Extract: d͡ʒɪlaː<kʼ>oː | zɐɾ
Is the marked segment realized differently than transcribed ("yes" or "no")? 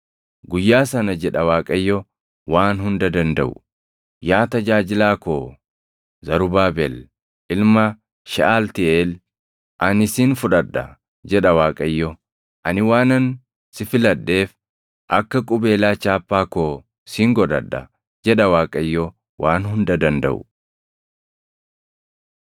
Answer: yes